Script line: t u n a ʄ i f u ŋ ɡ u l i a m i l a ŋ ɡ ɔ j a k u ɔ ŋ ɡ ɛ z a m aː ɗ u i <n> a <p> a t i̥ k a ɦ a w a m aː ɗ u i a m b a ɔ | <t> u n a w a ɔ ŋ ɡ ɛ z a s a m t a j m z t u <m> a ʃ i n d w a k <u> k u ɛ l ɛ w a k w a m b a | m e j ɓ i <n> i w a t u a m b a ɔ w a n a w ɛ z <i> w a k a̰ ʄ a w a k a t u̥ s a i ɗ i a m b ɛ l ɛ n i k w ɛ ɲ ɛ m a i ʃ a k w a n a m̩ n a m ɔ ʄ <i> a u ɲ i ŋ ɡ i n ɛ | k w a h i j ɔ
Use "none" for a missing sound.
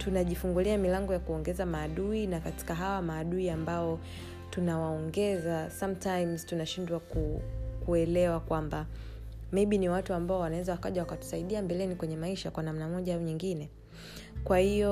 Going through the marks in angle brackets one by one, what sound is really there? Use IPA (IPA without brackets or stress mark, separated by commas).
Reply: n, k, t, n, u, n, a, a